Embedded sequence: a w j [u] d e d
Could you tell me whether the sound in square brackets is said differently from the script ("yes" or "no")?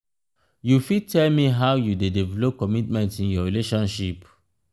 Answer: no